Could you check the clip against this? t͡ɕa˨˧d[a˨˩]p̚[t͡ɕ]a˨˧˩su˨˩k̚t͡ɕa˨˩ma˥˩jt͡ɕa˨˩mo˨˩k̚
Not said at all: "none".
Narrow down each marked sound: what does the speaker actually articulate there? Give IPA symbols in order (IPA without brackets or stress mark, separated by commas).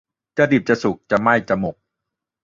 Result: i˨˩, t͡ɕ